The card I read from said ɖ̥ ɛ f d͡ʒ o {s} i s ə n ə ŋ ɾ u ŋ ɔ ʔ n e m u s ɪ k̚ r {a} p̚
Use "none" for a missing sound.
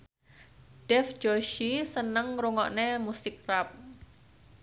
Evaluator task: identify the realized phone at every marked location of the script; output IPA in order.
ʃ, a

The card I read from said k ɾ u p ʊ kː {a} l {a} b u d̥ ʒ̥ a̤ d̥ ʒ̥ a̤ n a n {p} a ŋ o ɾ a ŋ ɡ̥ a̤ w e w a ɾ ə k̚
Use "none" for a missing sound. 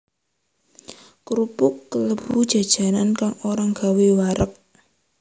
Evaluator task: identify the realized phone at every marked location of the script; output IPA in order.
ə, ə, k

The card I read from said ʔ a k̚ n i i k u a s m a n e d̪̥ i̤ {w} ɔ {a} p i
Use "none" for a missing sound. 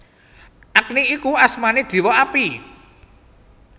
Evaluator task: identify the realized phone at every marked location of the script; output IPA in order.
w, a

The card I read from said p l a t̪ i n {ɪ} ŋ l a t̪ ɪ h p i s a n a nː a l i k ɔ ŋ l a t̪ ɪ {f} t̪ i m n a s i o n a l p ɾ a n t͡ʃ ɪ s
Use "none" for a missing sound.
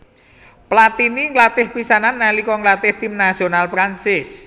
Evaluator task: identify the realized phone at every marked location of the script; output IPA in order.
i, h

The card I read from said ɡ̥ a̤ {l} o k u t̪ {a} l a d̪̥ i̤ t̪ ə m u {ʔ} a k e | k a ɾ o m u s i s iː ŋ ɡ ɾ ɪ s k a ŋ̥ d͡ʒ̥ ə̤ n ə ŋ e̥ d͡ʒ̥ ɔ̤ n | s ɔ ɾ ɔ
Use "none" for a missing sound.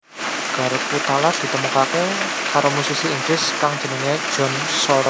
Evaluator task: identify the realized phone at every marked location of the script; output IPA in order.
ɾ, a, k

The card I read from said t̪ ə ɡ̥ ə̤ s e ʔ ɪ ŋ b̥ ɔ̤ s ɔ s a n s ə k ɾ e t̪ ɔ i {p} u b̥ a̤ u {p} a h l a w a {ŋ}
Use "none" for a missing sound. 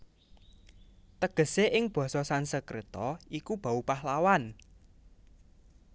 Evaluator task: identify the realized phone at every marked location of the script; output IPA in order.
k, p, n

